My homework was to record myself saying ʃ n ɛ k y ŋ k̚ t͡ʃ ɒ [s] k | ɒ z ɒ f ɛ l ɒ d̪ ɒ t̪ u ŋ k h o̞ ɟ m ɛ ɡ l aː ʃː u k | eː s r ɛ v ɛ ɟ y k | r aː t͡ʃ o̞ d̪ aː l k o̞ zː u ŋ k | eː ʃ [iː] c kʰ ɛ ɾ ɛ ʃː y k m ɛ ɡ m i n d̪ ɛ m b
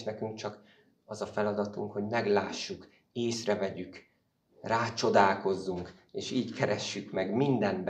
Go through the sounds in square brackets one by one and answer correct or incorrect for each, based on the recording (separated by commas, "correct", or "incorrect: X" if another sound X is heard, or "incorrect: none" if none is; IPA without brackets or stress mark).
incorrect: none, correct